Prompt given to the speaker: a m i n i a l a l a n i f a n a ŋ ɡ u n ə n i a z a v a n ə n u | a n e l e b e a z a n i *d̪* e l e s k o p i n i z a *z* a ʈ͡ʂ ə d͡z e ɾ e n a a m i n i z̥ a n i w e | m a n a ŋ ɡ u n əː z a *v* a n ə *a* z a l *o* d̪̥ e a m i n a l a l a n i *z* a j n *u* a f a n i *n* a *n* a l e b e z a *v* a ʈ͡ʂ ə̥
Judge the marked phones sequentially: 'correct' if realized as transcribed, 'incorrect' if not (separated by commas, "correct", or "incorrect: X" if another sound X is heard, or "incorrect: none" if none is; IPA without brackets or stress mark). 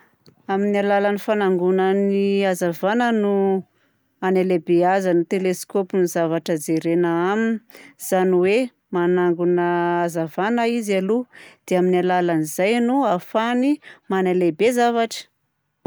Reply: incorrect: t̪, incorrect: v, correct, incorrect: i, incorrect: u, correct, correct, incorrect: m, correct, correct